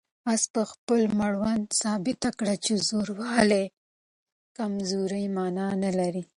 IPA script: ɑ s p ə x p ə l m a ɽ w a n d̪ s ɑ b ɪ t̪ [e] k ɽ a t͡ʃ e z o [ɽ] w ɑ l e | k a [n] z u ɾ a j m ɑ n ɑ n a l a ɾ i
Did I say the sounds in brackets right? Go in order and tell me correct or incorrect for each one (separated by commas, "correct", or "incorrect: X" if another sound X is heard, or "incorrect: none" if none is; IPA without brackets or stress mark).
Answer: incorrect: a, incorrect: ɾ, incorrect: m